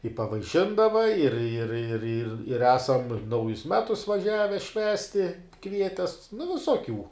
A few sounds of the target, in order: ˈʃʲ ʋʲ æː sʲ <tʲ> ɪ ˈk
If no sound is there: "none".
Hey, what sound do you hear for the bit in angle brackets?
tʲ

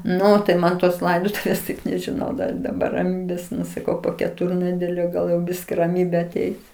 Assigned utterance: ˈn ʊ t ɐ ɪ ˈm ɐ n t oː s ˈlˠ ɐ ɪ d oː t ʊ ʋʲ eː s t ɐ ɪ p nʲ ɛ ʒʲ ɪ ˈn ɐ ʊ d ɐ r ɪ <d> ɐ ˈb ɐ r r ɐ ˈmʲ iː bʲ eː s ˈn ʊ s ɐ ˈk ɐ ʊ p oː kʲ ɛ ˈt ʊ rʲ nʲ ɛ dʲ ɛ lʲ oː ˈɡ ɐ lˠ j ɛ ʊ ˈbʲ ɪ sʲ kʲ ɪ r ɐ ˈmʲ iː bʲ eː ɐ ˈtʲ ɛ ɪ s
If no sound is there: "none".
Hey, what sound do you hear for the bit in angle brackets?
d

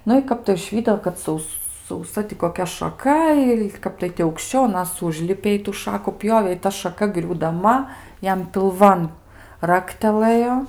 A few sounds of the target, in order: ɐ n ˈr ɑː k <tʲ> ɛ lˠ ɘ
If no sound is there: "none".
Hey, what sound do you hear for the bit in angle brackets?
tʲ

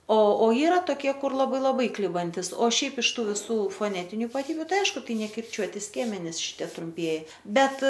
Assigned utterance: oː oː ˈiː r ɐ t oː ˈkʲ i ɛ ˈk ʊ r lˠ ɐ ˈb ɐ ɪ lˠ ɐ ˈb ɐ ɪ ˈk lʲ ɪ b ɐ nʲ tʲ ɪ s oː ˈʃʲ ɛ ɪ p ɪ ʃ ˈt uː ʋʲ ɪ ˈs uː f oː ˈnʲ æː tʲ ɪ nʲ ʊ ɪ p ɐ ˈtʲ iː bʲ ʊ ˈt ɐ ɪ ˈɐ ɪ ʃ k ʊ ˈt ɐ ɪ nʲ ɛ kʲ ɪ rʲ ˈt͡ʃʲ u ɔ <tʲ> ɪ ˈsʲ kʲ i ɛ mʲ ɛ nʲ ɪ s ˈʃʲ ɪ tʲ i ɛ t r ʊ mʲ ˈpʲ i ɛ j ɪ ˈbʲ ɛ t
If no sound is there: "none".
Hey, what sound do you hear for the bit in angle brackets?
tʲ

